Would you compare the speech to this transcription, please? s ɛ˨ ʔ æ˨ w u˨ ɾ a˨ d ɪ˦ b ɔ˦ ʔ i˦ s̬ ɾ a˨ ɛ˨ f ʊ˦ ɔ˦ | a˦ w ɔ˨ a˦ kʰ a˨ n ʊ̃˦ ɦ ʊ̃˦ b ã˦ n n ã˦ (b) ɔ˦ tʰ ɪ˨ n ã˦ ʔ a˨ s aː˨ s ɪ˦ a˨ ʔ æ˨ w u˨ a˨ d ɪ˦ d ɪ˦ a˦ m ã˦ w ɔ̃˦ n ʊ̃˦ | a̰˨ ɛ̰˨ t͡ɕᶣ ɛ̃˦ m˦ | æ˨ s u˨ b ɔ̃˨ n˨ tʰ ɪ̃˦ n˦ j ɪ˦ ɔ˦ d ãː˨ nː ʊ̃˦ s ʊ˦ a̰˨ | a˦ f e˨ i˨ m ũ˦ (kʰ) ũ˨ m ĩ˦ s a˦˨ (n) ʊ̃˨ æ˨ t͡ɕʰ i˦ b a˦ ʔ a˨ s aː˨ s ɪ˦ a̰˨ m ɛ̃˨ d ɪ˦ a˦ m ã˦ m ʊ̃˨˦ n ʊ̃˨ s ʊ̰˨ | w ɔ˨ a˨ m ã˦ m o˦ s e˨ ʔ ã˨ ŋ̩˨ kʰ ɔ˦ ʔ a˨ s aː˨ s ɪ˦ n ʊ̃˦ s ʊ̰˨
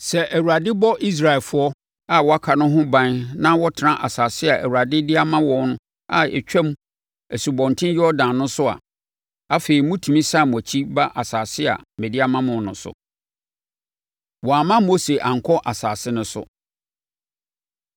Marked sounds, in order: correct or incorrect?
incorrect, incorrect, incorrect

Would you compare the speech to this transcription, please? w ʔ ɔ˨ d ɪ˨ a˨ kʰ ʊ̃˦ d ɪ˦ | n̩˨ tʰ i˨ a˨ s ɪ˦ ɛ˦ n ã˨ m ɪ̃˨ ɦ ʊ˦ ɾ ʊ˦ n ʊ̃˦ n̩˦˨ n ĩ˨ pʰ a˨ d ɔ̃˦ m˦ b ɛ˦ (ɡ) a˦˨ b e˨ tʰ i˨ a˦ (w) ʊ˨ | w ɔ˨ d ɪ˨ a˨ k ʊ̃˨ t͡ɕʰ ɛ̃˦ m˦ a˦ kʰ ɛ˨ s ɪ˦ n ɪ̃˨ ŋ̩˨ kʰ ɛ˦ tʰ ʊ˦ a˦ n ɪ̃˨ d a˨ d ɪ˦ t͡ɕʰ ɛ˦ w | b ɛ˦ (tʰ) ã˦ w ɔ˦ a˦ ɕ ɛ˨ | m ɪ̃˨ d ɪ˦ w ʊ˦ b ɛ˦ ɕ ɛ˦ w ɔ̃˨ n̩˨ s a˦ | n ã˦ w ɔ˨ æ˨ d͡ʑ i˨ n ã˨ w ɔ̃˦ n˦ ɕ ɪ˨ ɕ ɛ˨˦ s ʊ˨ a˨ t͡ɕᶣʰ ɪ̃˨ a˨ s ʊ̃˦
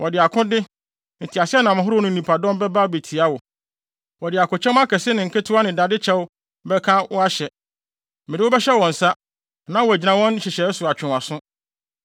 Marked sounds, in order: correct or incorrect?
incorrect, correct, incorrect

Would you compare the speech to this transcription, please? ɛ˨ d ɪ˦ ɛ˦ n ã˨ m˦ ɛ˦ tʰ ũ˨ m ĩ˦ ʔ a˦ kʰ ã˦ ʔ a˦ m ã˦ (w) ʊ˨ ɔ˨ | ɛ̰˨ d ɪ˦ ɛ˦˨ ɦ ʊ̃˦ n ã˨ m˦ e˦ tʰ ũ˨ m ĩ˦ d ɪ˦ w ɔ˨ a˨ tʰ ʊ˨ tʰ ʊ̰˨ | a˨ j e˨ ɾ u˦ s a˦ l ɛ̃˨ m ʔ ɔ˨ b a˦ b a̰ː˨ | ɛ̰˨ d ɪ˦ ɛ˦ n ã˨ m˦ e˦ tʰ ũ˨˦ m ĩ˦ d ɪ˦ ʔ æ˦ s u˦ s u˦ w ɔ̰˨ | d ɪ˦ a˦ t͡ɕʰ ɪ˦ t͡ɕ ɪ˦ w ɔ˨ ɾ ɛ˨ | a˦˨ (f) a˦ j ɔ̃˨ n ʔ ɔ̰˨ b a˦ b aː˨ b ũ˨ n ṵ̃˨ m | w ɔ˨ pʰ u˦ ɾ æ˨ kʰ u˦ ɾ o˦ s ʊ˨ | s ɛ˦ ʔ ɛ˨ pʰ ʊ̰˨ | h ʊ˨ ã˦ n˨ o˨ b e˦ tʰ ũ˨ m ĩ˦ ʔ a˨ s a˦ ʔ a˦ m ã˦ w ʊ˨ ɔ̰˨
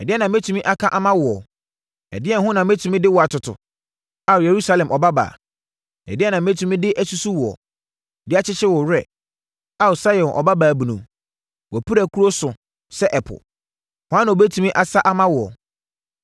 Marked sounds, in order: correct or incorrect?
correct, incorrect

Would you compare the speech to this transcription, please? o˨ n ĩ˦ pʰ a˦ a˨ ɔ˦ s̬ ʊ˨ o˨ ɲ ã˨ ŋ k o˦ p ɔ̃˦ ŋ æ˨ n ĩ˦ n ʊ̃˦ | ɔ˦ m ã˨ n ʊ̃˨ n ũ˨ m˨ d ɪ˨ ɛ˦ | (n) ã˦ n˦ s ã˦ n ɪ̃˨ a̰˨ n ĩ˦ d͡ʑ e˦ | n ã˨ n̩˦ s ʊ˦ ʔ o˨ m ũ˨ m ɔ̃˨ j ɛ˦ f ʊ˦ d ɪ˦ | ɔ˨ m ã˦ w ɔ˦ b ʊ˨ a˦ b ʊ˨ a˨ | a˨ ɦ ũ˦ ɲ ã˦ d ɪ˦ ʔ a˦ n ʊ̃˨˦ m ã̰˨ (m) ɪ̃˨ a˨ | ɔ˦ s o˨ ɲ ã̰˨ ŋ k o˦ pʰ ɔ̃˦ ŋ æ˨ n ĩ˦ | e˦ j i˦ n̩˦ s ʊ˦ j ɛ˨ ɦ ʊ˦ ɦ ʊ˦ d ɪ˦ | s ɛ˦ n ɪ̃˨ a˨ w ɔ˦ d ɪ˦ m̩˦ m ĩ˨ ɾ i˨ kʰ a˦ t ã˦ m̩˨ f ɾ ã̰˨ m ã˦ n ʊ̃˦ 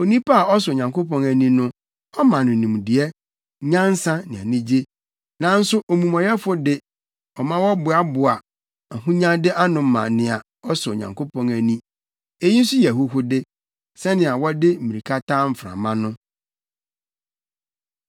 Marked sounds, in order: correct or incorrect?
incorrect, incorrect

